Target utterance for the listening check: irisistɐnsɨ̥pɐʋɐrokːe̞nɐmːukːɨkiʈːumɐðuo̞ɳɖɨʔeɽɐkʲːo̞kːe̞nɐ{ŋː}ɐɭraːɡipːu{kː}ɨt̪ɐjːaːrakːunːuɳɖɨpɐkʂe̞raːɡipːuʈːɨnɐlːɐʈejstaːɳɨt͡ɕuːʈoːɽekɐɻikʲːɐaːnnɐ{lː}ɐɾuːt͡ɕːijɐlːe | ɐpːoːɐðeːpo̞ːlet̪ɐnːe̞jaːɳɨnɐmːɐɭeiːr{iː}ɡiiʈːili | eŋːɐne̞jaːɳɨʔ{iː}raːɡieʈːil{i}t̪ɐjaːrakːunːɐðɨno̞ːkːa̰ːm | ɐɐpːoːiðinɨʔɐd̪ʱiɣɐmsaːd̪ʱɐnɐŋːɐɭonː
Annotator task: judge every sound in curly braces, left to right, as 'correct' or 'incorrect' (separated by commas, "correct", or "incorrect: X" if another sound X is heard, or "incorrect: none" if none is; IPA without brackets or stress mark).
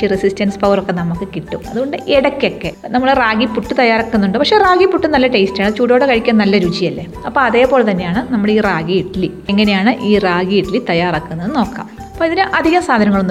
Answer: incorrect: mː, incorrect: ʈː, correct, incorrect: aː, correct, correct